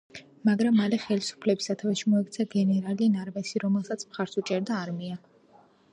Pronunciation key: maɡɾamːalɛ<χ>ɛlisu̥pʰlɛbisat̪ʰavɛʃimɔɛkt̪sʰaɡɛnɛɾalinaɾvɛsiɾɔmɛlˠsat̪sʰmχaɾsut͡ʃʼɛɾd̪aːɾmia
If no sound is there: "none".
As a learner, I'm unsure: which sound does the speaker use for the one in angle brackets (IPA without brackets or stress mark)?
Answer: χ